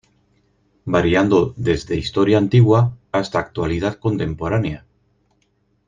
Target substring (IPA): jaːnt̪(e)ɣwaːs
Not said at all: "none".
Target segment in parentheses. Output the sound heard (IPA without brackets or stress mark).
i